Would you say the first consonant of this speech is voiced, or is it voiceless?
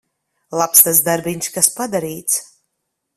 voiced